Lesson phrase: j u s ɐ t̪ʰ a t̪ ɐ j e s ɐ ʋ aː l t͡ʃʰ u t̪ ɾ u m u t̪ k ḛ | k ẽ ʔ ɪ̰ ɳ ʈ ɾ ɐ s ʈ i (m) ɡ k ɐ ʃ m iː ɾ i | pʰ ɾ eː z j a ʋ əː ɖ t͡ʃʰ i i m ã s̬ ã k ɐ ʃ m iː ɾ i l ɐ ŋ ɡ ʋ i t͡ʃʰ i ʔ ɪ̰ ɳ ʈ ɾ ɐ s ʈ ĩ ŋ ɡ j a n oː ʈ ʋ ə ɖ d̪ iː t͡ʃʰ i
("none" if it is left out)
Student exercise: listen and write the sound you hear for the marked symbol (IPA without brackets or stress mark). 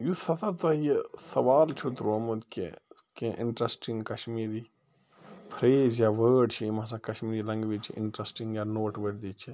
ŋ